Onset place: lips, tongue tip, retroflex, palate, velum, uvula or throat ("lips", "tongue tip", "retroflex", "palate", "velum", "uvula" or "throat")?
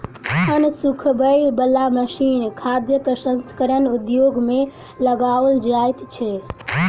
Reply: tongue tip